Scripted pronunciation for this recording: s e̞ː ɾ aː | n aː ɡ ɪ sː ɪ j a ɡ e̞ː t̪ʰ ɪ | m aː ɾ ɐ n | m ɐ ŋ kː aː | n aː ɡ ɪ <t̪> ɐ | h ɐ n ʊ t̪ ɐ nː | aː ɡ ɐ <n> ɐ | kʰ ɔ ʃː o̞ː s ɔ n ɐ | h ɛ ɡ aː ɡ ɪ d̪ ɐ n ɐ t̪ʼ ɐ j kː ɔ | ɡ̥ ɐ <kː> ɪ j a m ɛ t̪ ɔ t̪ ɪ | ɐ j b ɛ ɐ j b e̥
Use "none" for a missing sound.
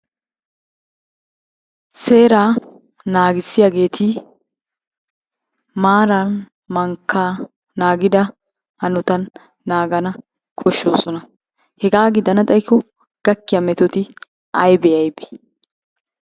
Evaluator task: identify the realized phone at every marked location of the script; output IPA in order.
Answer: d̪, n, kː

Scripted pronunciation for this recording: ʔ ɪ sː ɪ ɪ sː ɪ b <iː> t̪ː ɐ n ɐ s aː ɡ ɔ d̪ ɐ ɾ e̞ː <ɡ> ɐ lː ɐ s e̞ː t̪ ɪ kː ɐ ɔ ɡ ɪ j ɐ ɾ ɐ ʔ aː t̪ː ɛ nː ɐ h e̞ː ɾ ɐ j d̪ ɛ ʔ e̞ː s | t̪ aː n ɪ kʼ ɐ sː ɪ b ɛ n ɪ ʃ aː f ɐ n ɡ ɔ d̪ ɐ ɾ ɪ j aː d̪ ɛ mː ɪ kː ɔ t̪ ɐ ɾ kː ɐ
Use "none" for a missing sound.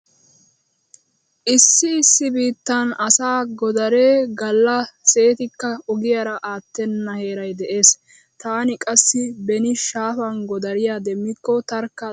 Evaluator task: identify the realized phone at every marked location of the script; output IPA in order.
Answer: iː, ɡ

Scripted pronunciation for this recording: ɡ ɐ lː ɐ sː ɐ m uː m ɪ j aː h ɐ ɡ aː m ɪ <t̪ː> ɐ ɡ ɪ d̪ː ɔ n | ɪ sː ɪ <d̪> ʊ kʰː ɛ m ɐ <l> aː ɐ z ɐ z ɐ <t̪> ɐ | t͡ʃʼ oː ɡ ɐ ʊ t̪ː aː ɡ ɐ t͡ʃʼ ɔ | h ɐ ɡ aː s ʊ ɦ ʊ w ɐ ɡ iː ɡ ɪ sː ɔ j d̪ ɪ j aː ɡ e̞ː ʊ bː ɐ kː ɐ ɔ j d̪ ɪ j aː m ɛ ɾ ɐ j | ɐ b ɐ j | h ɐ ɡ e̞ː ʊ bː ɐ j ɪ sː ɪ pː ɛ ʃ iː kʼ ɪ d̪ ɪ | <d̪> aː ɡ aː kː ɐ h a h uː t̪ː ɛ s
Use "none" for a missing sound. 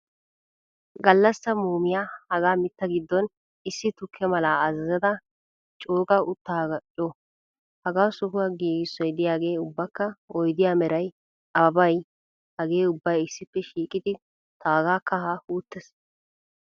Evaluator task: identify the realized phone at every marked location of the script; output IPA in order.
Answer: t̪ː, t̪, l, d̪, t̪

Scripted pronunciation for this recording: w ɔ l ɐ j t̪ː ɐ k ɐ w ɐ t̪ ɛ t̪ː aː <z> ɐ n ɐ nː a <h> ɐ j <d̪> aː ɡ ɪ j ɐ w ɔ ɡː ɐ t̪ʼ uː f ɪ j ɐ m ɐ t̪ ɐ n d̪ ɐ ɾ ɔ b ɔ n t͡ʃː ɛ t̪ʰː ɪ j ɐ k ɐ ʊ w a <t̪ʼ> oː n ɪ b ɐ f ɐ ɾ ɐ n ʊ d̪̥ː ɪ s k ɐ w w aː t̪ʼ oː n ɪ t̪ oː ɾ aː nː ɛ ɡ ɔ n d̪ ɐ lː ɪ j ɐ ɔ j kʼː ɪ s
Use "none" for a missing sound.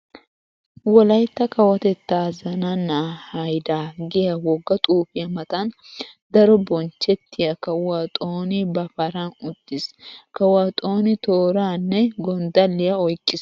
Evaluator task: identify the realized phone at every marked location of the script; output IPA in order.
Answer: z, h, d̪, t̪ʼ

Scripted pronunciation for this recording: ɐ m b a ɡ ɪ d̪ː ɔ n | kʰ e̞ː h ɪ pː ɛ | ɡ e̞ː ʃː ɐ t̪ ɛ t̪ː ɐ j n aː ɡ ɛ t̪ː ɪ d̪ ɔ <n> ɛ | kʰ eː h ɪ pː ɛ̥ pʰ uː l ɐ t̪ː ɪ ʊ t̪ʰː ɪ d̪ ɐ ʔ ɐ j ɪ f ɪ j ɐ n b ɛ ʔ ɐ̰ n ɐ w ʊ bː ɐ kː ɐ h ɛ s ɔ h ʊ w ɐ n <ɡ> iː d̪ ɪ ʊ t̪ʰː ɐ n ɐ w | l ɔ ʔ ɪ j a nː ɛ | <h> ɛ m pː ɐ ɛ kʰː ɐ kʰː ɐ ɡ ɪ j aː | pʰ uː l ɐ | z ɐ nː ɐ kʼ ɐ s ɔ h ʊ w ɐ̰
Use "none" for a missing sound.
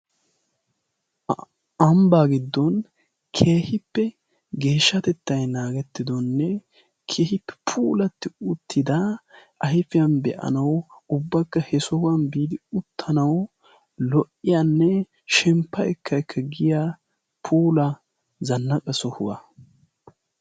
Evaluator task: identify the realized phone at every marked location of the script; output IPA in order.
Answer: nː, b, ʃ

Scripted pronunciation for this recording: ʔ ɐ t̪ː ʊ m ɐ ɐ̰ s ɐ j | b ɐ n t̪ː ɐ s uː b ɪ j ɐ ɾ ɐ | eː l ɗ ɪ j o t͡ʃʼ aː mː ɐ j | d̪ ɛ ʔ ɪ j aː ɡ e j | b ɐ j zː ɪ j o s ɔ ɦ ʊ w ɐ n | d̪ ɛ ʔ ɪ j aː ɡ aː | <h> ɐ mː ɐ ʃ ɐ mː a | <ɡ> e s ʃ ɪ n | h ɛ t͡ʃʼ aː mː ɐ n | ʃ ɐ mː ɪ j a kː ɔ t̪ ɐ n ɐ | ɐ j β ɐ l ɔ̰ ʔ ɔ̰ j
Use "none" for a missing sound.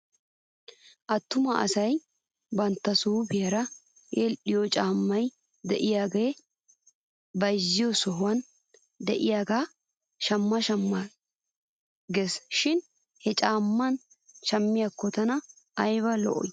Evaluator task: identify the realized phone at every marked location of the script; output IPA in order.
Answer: ʃ, ɡ

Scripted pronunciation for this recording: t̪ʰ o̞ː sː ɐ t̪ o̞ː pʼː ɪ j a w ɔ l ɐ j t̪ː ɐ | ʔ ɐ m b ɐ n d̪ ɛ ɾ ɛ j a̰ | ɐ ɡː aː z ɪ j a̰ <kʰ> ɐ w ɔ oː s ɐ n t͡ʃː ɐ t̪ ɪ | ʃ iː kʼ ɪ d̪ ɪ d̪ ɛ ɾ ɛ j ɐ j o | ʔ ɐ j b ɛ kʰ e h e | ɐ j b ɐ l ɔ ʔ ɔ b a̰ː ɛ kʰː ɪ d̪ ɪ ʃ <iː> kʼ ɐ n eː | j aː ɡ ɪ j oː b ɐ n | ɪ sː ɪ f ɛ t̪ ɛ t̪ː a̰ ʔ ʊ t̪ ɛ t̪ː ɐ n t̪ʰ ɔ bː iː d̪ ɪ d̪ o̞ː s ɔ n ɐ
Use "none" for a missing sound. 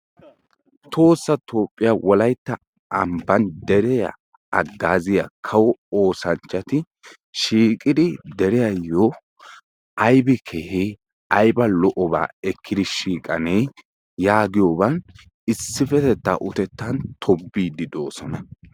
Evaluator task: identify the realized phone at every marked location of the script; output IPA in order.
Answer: kʰ, iː

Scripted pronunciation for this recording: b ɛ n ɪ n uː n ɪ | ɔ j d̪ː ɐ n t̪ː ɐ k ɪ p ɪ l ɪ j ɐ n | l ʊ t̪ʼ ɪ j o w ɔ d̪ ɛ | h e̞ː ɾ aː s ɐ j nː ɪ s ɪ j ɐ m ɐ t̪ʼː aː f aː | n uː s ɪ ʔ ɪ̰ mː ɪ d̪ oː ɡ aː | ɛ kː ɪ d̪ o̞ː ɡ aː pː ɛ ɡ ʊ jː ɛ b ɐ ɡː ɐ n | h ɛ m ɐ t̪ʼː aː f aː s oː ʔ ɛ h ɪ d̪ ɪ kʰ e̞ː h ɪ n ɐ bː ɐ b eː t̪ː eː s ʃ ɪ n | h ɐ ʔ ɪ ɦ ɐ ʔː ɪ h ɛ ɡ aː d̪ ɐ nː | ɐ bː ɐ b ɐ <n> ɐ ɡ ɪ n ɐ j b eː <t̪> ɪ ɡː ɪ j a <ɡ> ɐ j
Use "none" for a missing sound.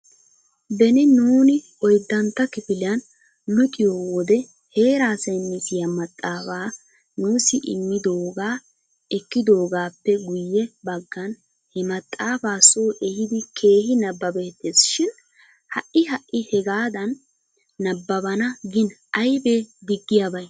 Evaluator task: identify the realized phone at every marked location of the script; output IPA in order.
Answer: n, d̪, b

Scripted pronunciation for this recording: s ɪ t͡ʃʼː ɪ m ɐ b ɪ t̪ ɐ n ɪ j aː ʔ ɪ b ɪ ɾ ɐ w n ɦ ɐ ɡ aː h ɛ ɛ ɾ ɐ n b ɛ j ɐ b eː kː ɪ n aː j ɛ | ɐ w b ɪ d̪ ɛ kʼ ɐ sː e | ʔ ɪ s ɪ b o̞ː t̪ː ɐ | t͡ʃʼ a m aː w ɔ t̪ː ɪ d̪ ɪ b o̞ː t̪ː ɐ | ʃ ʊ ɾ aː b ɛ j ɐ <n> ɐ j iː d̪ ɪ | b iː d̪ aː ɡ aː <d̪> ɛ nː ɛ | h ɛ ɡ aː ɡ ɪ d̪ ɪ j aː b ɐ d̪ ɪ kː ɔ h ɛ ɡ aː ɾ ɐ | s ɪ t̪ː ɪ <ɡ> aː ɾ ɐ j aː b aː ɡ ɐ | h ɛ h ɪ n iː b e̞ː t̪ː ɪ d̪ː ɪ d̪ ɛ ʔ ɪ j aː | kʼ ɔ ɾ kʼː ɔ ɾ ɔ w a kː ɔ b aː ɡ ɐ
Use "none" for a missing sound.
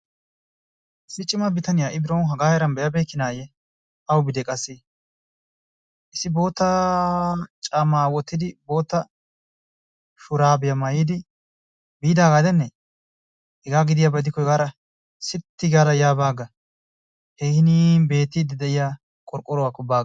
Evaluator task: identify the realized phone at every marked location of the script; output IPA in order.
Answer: m, d̪, ɡ

